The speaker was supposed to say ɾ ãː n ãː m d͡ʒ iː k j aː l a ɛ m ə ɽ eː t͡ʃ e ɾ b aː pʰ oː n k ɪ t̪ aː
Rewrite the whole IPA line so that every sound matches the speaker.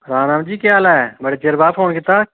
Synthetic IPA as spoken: ɾ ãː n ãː m d͡ʒ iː k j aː l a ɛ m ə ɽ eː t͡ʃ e ɾ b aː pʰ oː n k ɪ t̪ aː